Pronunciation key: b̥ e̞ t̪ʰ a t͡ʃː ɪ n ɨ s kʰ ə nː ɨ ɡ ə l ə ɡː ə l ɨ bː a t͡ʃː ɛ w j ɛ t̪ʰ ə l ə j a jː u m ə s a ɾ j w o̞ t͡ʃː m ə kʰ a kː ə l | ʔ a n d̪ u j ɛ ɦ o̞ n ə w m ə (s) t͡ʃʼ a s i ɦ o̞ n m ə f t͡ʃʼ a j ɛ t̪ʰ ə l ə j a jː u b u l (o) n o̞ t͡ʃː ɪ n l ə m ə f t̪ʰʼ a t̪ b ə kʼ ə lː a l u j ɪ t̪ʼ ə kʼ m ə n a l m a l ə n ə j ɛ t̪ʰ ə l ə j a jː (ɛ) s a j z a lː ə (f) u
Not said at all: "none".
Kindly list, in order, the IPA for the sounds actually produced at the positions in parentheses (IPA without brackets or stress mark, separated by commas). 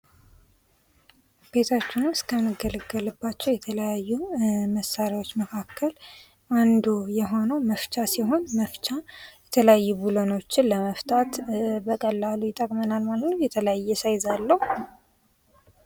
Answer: f, o, ɛ, h